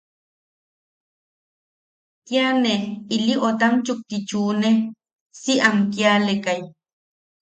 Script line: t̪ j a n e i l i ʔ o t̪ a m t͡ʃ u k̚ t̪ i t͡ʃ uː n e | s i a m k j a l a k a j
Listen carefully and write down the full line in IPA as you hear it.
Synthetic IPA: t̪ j a n e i l i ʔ o t̪ a m t͡ʃ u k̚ t̪ i t͡ʃ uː n e | s i a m k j a l e k a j